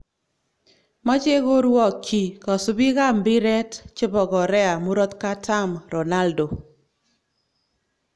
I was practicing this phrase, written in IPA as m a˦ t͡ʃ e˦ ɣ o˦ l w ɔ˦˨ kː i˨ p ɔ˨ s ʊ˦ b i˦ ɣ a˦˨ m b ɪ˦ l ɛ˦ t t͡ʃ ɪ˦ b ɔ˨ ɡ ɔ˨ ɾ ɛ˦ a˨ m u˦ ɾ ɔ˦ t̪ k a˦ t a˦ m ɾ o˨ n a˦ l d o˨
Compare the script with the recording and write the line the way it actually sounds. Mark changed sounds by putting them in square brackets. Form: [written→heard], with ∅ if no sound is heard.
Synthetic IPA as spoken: m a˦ t͡ʃ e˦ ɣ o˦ [l→ɾ] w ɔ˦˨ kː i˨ [p→k] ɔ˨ s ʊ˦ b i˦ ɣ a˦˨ m b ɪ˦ [l→ɾ] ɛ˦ t t͡ʃ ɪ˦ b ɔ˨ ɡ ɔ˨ ɾ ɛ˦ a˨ m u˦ ɾ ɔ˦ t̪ k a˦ t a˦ m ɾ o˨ n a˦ l d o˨